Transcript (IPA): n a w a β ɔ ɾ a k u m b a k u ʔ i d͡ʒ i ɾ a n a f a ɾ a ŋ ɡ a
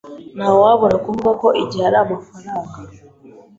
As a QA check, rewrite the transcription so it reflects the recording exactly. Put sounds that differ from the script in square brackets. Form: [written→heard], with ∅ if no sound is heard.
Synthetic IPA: n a w a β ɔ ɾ a k u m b a k [u→ɔ] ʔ i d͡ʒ [i→a] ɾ a [n→m] a f a ɾ a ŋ ɡ a